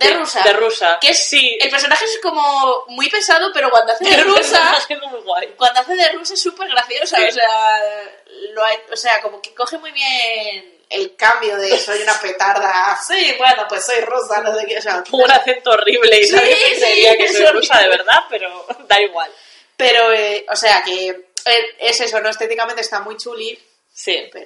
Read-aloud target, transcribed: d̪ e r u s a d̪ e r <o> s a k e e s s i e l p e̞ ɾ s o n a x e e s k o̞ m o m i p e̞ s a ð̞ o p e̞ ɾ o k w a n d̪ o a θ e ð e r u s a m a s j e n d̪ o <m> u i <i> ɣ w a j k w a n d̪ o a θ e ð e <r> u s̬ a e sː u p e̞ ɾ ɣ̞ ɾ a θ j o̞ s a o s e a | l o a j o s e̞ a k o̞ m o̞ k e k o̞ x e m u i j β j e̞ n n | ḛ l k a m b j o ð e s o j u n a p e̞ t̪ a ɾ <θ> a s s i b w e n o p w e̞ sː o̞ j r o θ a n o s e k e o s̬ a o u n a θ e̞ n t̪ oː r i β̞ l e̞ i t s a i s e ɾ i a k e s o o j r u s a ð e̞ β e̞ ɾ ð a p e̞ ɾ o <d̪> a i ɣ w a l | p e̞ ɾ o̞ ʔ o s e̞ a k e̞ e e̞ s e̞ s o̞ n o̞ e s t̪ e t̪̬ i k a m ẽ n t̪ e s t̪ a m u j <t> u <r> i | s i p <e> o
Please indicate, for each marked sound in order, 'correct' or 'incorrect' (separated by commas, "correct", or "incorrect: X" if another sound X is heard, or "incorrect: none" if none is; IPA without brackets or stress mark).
incorrect: u, correct, incorrect: j, correct, incorrect: ð, correct, incorrect: t͡ʃ, incorrect: l, correct